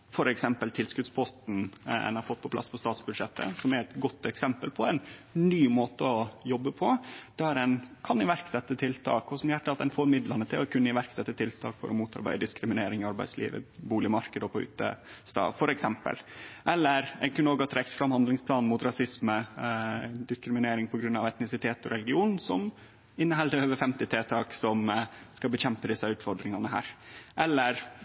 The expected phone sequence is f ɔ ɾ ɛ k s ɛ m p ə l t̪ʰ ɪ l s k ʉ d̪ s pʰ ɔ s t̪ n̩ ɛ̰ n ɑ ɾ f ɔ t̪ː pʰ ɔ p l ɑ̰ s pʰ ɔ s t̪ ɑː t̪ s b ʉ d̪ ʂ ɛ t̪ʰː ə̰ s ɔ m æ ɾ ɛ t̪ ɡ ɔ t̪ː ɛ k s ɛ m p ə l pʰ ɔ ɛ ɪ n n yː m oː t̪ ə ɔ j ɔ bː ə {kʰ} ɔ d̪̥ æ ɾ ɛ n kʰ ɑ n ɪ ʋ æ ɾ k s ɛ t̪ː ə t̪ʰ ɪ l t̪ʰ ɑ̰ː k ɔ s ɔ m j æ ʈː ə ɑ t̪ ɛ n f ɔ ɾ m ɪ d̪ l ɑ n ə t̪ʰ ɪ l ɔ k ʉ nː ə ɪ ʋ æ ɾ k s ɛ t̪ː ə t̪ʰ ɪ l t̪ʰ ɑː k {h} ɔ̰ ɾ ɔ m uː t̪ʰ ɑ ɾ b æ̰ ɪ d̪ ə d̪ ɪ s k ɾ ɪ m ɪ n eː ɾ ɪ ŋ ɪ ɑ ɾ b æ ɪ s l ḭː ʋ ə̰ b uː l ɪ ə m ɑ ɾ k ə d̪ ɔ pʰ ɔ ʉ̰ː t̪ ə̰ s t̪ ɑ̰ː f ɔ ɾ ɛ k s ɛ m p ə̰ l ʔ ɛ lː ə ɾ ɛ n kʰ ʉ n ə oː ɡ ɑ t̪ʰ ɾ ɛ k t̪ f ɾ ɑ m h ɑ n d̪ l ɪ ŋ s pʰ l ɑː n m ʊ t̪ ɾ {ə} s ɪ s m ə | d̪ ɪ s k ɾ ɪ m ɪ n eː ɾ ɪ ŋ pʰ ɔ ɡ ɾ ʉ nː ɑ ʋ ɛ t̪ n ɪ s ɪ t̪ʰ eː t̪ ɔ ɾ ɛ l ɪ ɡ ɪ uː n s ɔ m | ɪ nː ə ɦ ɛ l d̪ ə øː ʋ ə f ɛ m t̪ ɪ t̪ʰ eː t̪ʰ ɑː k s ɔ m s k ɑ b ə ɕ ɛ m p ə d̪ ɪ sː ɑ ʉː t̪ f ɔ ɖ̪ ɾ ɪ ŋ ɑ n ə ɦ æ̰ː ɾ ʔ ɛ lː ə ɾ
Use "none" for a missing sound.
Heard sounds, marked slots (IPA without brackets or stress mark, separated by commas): pʰ, f, ɑ